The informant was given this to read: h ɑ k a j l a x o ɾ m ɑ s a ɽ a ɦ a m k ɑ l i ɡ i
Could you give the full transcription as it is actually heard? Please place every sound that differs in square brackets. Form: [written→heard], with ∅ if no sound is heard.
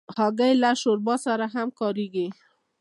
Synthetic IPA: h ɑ [k→ɡ] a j l a [x→ʃ] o ɾ [m→b] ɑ s a [ɽ→ɾ] a ɦ a m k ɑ [l→ɾ] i ɡ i